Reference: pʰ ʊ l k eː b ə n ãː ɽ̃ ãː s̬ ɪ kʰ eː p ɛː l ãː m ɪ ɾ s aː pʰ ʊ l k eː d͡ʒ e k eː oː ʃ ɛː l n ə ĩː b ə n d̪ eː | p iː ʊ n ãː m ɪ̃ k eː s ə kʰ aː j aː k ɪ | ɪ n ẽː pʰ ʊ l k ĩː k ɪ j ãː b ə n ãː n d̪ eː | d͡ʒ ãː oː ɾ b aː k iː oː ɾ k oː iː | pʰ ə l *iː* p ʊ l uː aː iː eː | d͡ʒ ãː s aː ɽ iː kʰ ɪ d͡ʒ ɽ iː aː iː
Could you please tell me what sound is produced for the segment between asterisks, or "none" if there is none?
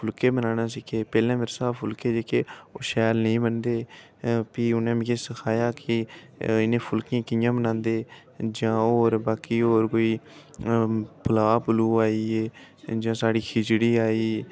aː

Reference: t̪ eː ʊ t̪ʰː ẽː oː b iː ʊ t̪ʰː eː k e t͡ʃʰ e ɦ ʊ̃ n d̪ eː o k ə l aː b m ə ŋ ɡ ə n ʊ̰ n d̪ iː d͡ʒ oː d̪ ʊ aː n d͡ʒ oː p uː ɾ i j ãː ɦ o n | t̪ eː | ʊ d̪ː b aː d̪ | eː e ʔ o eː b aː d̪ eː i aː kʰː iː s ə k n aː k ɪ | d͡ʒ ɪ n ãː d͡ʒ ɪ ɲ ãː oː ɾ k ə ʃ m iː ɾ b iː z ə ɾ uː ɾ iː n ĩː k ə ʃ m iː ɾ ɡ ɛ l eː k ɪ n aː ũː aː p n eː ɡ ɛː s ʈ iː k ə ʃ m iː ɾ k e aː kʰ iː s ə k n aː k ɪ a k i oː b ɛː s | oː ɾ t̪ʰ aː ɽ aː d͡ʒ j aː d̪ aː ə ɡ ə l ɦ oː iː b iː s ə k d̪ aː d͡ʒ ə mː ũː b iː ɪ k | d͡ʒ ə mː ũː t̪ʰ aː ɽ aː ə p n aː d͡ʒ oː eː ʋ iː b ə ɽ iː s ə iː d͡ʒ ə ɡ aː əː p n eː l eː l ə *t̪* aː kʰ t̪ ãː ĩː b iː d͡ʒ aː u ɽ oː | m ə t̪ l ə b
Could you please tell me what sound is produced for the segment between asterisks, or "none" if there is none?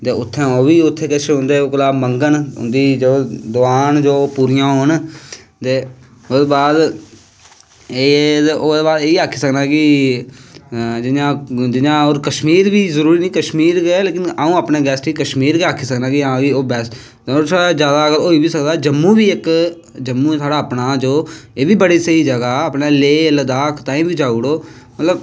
d̪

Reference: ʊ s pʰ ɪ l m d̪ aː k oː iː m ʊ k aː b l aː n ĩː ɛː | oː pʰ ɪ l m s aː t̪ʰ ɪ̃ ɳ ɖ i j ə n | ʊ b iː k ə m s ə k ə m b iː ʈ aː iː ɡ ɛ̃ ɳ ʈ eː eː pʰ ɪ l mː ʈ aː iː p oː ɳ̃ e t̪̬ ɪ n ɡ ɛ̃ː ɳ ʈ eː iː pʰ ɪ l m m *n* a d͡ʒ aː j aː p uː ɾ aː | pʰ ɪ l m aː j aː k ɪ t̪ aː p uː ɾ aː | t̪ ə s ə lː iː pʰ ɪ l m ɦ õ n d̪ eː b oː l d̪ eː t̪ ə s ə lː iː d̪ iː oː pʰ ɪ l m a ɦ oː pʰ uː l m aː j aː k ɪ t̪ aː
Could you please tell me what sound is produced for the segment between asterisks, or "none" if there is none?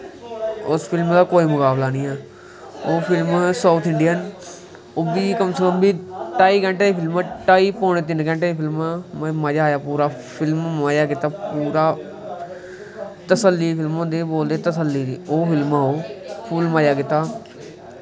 m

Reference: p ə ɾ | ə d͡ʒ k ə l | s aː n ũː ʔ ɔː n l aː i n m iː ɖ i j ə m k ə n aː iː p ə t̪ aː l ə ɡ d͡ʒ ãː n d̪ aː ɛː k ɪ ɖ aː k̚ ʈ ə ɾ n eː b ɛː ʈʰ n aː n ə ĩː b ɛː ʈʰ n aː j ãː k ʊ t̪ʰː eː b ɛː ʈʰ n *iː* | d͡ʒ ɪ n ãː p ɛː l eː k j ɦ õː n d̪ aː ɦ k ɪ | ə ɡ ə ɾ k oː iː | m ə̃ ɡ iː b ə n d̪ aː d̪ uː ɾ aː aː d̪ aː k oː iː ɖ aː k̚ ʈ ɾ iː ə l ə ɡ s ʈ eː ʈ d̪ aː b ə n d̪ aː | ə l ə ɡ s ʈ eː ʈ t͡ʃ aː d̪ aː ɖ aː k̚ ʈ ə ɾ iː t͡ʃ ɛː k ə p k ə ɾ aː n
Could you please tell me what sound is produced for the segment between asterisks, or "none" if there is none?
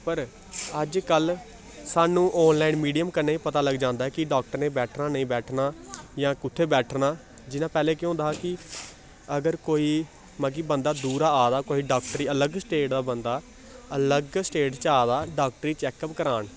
aː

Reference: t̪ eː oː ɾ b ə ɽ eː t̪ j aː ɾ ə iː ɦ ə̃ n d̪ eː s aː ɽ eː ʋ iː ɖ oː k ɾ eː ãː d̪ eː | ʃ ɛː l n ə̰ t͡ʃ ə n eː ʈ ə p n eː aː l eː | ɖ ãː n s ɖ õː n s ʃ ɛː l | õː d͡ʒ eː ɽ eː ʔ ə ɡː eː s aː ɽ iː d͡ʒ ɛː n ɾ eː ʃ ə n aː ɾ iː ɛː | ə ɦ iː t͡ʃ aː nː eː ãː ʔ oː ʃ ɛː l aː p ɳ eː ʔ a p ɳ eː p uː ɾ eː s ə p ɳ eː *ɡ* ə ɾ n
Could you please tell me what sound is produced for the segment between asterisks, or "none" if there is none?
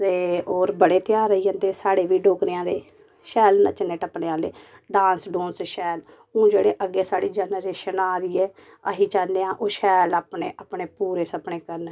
k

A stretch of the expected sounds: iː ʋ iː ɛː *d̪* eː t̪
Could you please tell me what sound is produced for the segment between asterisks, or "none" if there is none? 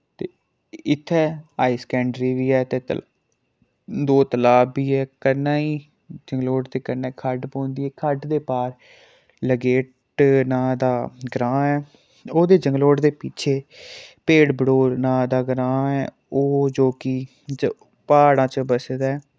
t̪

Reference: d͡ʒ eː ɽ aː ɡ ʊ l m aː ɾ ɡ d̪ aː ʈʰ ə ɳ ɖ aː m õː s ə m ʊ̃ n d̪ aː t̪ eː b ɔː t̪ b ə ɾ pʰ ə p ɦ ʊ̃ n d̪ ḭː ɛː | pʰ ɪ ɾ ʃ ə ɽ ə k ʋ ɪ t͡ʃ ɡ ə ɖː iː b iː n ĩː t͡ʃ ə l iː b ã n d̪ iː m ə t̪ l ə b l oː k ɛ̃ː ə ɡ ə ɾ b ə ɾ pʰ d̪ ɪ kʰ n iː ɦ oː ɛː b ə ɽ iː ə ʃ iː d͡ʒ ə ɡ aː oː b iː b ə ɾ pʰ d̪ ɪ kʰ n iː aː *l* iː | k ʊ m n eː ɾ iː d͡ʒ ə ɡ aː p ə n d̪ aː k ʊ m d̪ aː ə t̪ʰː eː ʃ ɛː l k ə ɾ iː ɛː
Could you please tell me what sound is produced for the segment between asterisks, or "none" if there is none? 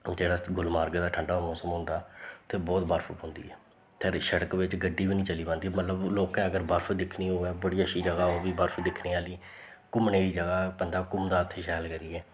l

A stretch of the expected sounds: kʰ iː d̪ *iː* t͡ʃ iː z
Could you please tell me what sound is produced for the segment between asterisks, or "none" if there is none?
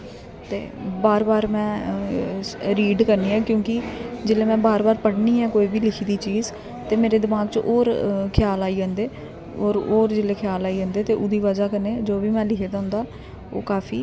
iː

